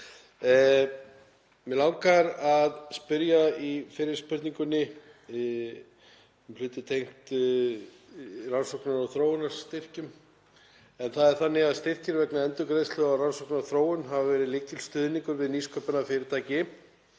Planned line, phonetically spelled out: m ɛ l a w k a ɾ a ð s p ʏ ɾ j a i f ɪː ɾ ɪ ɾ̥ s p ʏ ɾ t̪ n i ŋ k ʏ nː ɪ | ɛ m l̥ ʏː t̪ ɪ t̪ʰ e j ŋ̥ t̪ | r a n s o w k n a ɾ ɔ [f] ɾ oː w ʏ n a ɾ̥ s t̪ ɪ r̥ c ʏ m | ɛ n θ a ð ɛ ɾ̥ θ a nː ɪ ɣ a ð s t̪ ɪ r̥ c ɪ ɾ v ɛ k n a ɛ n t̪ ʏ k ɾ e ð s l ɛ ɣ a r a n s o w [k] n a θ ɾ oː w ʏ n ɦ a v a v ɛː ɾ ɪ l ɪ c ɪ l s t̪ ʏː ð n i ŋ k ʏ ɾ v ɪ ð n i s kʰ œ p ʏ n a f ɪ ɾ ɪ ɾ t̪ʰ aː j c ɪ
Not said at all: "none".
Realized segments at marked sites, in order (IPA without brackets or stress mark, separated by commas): θ, k